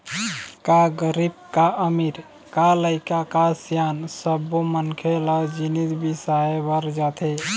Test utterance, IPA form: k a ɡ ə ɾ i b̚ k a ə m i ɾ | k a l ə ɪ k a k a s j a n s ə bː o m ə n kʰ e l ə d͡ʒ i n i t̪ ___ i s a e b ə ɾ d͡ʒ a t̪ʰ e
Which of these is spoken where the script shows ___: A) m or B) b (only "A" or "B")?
B